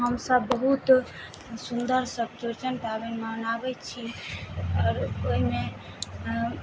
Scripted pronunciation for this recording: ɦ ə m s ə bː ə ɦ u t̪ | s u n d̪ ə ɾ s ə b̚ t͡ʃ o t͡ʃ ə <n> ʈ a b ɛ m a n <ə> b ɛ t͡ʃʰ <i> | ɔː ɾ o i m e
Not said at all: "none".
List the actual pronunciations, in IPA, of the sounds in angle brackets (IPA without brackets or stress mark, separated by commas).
n, a, i